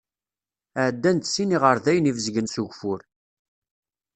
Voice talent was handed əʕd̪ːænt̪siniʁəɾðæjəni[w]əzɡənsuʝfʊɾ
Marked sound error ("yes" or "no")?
yes